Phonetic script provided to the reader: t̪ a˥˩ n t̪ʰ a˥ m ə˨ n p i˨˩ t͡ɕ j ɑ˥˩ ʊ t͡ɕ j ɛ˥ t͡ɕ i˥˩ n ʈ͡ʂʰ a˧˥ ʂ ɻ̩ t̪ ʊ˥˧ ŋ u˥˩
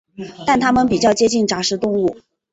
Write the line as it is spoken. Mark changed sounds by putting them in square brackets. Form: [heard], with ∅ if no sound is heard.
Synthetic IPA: t̪ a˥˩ n t̪ʰ a˥ m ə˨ n p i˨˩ t͡ɕ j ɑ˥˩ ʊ t͡ɕ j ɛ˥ t͡ɕ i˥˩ n [ʈ͡ʂ] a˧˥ ʂ ɻ̩ t̪ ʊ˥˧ ŋ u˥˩